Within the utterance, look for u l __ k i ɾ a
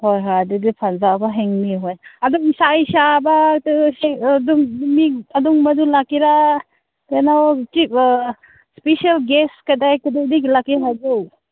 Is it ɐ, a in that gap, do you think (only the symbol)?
a